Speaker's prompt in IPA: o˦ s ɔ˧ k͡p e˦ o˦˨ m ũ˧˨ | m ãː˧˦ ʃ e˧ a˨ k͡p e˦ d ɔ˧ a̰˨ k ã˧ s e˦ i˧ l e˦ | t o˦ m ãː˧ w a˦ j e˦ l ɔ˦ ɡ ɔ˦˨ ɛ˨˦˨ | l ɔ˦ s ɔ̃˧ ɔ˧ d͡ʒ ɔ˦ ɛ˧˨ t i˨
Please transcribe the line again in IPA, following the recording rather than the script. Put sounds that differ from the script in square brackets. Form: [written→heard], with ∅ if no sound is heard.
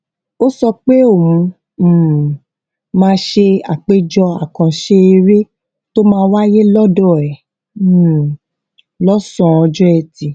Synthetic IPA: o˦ s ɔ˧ k͡p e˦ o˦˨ m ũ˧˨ | m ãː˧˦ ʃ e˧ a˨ k͡p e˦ [d→d͡ʒ] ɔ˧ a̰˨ k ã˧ [s→ʃ] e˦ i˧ [l→ɾ] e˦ | t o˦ m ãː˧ w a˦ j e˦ l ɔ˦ [ɡ→d] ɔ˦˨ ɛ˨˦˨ | l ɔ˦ s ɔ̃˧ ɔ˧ d͡ʒ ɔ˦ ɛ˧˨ t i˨